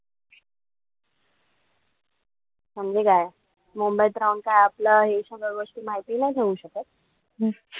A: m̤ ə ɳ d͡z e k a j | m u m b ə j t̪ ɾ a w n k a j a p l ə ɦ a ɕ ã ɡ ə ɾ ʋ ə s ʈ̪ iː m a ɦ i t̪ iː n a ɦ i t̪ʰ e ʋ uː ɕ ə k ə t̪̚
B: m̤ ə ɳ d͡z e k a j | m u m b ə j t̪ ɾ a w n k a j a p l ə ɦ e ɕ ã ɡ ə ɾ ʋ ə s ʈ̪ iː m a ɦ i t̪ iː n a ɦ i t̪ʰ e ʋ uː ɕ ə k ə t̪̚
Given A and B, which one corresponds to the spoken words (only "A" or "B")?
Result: B